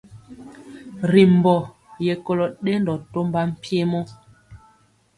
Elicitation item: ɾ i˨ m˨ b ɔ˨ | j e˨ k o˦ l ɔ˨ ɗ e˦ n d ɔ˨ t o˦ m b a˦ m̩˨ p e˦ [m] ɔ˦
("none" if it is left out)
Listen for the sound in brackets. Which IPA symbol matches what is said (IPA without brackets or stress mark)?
m